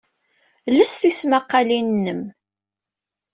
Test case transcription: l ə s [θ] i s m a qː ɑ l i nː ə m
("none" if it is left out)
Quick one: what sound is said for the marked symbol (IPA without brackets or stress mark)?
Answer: θ